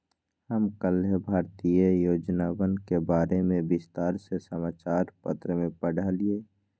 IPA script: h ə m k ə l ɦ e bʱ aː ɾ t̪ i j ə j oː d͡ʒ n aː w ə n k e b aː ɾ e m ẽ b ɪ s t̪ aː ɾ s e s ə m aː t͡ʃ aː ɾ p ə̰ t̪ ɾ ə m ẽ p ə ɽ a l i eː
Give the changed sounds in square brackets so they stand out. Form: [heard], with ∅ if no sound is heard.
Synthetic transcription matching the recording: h ə m k ə l ɦ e bʱ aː ɾ t̪ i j ə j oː d͡ʒ n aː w ə n k e b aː ɾ e m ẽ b ɪ s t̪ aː ɾ s e s ə m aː t͡ʃ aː ɾ p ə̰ t̪ ɾ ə m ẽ p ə ɽ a l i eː